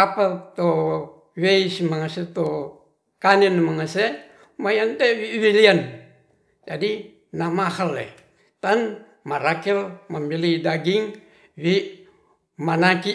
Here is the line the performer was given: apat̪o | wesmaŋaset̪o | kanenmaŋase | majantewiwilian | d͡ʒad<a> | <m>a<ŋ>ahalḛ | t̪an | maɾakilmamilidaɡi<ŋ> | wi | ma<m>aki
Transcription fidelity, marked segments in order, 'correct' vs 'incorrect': incorrect: i, incorrect: n, incorrect: m, correct, incorrect: n

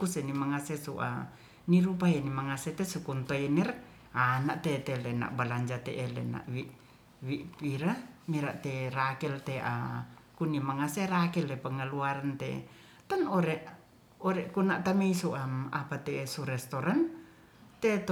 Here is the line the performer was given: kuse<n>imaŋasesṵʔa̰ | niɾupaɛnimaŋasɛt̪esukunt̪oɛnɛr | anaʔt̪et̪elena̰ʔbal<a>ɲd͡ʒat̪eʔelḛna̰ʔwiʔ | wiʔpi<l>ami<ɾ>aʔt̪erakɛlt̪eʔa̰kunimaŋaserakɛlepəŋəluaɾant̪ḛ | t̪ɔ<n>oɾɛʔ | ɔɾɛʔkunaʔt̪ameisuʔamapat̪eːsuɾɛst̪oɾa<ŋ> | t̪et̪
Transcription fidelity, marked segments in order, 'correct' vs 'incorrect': correct, correct, incorrect: ɾ, correct, correct, incorrect: n

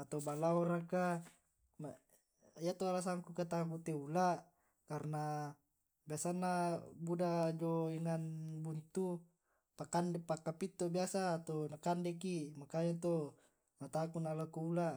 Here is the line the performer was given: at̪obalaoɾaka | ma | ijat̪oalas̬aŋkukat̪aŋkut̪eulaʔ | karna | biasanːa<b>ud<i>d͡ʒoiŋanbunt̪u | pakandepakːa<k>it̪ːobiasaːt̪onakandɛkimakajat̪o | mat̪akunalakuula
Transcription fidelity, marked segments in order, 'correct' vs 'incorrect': correct, incorrect: a, incorrect: p

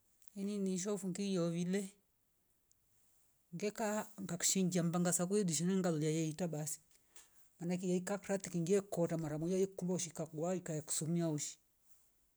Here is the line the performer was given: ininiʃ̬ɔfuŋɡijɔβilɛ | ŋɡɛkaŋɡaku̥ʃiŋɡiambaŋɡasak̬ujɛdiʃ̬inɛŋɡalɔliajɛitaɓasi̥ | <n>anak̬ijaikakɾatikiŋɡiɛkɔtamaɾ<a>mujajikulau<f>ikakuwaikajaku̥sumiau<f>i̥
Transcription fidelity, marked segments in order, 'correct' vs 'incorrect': incorrect: m, correct, incorrect: ʃ, incorrect: ʃ

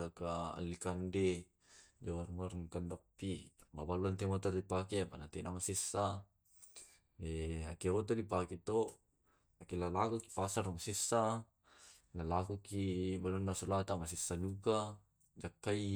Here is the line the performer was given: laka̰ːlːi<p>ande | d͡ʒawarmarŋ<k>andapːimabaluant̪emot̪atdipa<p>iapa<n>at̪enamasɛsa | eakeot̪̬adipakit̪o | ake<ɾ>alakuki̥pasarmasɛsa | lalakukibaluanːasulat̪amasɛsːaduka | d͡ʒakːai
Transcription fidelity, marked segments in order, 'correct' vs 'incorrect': incorrect: k, correct, incorrect: k, correct, incorrect: l

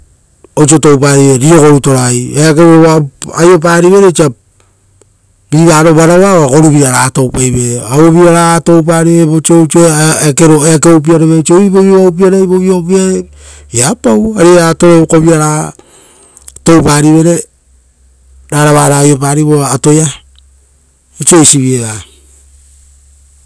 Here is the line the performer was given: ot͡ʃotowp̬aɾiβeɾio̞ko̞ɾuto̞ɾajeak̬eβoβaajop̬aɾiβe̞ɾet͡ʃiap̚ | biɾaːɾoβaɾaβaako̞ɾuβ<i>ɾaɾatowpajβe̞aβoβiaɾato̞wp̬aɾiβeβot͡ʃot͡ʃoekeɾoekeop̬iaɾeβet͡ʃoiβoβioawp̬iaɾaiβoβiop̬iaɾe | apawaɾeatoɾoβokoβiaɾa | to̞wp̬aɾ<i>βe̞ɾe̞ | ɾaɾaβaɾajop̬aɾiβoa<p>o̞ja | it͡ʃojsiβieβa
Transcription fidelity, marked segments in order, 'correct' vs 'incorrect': correct, correct, incorrect: t

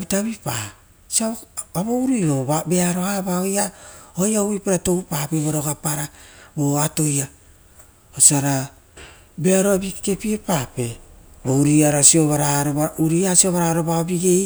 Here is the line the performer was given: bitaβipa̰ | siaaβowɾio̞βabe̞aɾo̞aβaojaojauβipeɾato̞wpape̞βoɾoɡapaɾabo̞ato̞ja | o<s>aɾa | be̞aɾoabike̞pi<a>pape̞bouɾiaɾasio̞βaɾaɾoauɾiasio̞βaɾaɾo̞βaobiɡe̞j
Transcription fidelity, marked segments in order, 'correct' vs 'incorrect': correct, incorrect: e

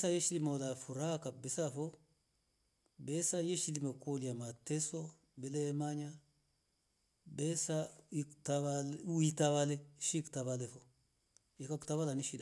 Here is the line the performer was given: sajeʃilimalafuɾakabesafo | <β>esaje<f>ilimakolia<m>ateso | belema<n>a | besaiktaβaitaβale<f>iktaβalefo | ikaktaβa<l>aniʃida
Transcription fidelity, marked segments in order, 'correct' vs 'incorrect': incorrect: b, incorrect: ʃ, correct, incorrect: ɲ, incorrect: ʃ, correct

